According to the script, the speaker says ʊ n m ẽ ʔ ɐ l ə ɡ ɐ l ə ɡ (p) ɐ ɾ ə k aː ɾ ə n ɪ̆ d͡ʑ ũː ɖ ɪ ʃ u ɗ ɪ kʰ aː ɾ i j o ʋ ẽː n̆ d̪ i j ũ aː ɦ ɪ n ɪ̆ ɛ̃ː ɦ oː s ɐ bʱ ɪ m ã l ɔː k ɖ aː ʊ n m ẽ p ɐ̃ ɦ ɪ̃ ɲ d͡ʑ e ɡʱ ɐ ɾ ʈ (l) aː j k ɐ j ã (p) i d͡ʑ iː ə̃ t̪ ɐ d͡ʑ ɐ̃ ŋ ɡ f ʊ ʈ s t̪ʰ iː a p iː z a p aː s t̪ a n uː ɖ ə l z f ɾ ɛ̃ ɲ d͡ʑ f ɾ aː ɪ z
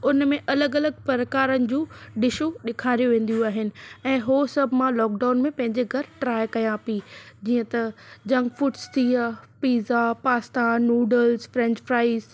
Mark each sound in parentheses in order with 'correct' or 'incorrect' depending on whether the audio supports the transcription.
correct, incorrect: ɾ, correct

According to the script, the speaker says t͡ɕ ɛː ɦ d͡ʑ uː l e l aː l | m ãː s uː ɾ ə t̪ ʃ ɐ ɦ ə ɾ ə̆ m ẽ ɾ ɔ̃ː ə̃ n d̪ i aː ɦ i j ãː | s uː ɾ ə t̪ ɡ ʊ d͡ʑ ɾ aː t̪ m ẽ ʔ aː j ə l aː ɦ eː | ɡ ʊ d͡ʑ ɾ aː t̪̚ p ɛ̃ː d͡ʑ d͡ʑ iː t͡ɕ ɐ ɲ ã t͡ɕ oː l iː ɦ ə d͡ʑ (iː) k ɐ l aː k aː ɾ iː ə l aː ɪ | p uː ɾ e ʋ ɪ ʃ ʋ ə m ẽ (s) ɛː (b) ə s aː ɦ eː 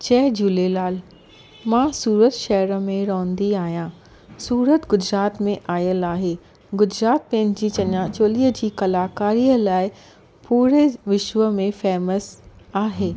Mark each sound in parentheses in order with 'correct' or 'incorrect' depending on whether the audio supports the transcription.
correct, incorrect: f, incorrect: m

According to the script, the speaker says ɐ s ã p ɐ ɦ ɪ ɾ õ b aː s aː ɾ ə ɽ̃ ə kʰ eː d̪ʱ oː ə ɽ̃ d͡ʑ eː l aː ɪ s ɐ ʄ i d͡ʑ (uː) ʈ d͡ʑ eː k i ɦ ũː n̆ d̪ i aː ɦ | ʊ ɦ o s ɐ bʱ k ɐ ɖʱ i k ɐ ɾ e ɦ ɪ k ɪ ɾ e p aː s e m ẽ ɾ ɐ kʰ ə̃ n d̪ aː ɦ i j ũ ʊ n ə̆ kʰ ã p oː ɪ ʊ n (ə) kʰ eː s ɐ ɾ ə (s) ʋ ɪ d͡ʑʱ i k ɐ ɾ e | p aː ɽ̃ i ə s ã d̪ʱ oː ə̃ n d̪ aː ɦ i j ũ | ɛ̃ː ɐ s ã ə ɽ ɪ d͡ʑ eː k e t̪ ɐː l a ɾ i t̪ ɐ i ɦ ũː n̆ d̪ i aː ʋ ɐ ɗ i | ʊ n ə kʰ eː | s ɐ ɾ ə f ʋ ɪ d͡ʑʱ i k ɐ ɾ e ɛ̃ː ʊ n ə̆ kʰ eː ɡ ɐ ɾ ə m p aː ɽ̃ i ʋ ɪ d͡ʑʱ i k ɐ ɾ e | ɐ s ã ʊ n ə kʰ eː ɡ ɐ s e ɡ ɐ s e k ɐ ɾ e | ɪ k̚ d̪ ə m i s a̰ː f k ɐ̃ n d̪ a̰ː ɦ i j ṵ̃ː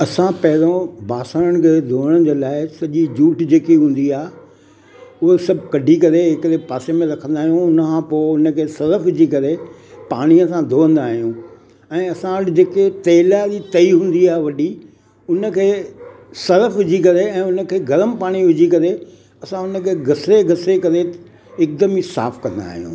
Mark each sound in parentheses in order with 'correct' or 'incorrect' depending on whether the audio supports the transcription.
correct, correct, incorrect: f

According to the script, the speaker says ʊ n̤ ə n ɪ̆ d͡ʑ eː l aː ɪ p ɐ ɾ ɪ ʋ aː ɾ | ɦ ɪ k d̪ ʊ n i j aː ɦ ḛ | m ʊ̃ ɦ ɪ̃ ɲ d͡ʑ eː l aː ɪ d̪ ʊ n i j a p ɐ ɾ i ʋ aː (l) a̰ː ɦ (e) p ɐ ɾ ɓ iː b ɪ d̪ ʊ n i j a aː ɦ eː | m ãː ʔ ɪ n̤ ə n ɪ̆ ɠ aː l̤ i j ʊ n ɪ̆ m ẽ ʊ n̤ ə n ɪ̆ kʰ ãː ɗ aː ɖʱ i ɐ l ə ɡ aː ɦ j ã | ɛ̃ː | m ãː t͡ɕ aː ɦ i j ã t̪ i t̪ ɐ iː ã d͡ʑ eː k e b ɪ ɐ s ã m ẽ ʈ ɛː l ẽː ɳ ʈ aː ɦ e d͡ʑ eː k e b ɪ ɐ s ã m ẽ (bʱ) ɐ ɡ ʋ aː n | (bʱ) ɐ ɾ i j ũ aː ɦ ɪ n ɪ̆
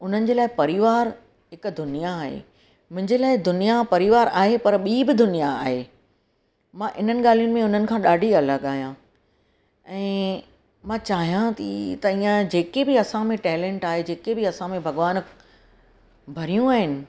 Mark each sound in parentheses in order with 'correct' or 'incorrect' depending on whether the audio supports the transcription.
incorrect: ɾ, correct, correct, correct

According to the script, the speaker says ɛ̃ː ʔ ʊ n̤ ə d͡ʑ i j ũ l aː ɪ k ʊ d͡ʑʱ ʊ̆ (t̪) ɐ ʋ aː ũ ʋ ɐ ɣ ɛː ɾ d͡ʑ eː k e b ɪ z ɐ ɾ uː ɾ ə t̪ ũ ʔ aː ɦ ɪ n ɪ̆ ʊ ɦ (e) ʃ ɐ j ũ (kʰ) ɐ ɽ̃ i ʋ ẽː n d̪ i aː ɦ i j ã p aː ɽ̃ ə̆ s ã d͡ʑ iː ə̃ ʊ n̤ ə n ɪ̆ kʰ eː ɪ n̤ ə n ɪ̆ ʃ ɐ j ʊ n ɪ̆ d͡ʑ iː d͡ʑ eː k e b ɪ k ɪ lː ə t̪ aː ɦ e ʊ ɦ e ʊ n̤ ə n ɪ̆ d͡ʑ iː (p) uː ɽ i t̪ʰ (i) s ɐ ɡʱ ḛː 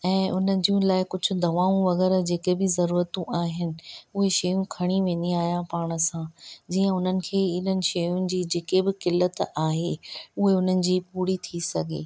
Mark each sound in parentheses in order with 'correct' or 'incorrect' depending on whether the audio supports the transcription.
incorrect: d̪, correct, correct, correct, correct

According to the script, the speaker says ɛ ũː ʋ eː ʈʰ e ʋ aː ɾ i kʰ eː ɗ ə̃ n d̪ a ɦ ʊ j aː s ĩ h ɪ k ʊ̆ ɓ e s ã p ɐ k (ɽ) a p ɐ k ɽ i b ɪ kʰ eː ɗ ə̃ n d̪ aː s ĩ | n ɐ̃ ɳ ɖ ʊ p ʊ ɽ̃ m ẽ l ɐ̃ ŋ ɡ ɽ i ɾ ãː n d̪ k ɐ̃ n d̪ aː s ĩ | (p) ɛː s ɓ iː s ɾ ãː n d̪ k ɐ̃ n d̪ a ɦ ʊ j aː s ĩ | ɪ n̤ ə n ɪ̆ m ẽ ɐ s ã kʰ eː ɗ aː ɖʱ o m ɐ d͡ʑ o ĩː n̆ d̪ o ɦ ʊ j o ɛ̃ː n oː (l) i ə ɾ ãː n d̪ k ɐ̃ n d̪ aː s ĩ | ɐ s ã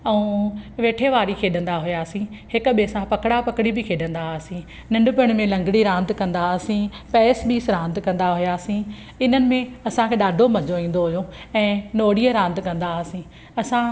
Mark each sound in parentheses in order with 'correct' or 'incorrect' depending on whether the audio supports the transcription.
correct, correct, incorrect: ɽ

